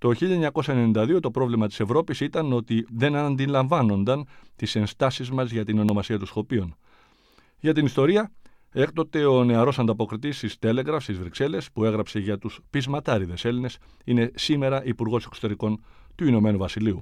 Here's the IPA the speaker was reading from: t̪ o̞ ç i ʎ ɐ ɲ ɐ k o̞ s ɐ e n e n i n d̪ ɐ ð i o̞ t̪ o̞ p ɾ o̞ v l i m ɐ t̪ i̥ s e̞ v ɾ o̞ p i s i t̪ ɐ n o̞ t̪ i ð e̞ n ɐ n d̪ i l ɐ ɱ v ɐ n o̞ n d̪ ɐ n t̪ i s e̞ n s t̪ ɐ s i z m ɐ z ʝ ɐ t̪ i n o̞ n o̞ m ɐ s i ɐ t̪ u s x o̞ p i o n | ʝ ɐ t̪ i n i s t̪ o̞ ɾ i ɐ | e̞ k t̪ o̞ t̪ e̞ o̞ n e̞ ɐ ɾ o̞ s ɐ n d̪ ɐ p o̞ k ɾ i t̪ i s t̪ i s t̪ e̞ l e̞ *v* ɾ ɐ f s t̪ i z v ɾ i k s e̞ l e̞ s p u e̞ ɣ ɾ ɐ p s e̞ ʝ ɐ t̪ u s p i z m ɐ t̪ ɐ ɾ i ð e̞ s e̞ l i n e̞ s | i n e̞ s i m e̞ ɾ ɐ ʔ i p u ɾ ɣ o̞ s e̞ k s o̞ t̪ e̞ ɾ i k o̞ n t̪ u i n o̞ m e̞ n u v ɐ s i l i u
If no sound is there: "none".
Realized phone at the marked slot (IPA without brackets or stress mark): ɣ